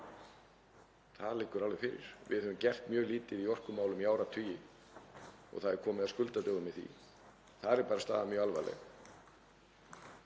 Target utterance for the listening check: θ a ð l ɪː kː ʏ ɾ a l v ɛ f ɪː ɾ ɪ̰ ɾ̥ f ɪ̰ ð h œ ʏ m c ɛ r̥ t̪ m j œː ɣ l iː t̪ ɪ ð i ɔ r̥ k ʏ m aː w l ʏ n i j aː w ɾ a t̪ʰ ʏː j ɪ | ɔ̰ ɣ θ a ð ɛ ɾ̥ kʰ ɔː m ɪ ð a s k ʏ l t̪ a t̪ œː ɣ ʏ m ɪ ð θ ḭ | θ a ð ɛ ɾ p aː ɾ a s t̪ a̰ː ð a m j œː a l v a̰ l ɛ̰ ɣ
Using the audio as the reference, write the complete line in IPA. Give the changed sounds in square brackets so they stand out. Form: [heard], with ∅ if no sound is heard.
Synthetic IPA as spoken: θ a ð l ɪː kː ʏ ɾ a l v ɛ f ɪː ɾ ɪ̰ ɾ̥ [v] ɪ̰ ð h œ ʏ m c ɛ r̥ t̪ m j œː ɣ l iː t̪ ɪ ð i ɔ r̥ k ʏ m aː w l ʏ [m] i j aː w ɾ a t̪ʰ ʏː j ɪ | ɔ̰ ɣ θ a ð ɛ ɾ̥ kʰ ɔː m ɪ ð a s k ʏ l t̪ a t̪ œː ɣ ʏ m ɪ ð θ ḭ | θ a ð ɛ ɾ p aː ɾ a s t̪ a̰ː ð a m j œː a l v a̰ l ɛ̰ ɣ